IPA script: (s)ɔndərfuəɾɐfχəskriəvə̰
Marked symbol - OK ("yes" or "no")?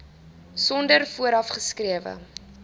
yes